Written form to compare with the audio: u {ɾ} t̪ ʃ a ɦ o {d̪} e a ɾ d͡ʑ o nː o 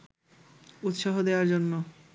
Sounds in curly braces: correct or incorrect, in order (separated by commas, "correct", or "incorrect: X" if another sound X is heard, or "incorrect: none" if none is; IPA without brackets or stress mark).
incorrect: none, correct